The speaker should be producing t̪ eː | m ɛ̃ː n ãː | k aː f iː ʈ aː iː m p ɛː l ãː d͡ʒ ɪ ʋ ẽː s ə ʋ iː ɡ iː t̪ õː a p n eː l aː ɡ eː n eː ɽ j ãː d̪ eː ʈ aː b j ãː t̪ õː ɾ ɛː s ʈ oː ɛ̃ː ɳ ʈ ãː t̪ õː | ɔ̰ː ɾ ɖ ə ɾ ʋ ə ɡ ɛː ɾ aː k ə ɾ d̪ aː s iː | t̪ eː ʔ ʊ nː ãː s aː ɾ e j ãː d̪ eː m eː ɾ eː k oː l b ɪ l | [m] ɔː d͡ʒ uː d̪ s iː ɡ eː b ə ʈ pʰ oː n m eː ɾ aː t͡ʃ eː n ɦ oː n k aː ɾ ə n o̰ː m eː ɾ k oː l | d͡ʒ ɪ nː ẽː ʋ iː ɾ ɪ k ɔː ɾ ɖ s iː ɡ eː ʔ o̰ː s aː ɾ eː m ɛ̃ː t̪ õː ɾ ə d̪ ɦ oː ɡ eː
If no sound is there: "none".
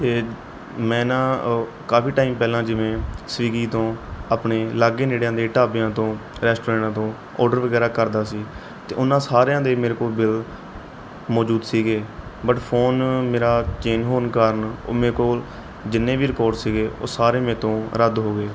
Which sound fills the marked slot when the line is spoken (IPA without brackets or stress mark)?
m